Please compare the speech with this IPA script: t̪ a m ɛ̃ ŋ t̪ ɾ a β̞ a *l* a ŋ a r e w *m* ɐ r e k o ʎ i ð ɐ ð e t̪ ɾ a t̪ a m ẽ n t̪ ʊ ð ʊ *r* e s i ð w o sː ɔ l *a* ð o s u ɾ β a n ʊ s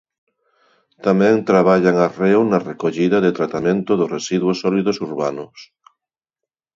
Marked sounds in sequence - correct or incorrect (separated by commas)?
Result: incorrect, incorrect, correct, incorrect